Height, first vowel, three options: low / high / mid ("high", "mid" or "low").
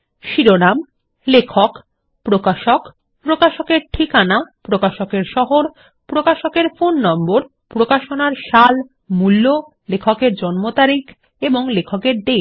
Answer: high